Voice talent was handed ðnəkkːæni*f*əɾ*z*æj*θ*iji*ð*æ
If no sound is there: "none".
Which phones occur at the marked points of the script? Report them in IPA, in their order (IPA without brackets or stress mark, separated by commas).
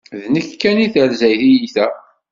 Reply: θ, z, θ, θ